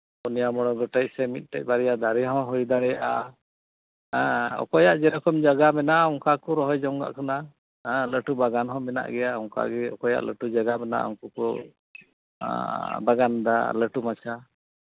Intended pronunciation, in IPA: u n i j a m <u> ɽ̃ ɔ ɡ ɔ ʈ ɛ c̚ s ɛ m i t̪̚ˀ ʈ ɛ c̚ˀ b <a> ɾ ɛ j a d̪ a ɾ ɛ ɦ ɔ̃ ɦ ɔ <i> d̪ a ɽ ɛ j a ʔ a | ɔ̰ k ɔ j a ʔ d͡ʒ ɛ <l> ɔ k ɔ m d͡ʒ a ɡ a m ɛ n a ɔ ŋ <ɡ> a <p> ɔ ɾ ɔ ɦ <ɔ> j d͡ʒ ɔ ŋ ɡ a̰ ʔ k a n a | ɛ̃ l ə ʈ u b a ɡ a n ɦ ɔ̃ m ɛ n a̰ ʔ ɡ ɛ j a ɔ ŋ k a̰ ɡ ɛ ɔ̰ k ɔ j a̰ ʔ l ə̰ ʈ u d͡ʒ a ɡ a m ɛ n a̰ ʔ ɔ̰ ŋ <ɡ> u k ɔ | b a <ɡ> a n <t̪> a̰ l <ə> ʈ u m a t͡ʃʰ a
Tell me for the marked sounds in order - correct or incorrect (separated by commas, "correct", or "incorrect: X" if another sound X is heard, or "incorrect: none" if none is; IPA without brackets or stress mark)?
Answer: incorrect: ɔ, correct, incorrect: j, incorrect: ɾ, incorrect: k, incorrect: k, correct, incorrect: k, correct, incorrect: d̪, correct